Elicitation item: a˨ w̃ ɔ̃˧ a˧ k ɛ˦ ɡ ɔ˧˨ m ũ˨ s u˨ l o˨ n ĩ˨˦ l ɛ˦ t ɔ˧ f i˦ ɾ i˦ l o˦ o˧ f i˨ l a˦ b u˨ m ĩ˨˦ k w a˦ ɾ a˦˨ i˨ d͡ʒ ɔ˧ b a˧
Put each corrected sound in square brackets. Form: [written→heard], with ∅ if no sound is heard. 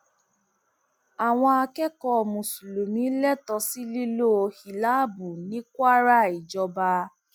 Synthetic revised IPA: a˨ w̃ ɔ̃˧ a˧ k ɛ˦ [ɡ→k] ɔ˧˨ m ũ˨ s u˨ l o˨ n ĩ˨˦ l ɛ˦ t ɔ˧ [f→s] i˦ [ɾ→l] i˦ l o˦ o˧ [f→h] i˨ l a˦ b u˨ [m→n] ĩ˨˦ k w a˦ ɾ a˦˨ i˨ d͡ʒ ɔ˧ b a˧